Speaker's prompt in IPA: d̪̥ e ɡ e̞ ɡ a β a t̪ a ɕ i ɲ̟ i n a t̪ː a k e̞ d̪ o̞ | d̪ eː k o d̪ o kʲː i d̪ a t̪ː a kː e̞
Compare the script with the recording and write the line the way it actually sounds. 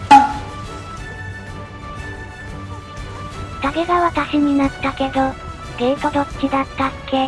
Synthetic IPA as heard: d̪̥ a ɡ e̞ ɡ a β a t̪ a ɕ i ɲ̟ i n a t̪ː a k e̞ d̪ o̞ | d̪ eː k o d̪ o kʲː i d̪ a t̪ː a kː e̞